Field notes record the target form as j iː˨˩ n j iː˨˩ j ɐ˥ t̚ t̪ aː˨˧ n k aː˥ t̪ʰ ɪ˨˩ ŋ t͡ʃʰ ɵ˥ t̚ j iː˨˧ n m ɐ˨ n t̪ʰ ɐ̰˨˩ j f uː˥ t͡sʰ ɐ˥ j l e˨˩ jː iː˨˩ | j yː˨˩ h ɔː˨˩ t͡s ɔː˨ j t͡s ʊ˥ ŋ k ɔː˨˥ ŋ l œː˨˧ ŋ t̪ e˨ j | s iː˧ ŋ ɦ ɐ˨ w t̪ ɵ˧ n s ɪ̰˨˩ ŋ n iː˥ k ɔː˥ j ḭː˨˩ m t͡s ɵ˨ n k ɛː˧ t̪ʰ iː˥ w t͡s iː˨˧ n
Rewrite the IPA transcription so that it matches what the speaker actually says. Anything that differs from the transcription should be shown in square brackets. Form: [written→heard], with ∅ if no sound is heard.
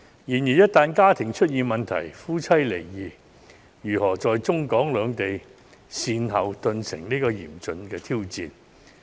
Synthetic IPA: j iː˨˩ n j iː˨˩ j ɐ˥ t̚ t̪ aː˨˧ n k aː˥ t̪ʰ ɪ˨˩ ŋ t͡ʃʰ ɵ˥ t̚ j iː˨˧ n m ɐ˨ n t̪ʰ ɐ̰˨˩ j f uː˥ t͡sʰ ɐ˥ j l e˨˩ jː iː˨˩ | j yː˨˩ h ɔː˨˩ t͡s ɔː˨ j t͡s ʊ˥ ŋ k ɔː˨˥ ŋ l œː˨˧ ŋ t̪ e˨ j | s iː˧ [ŋ→n] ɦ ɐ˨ w t̪ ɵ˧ n s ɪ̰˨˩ ŋ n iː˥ k [ɔː˥→ɔː˧] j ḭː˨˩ m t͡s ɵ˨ n k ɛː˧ t̪ʰ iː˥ w t͡s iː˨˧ n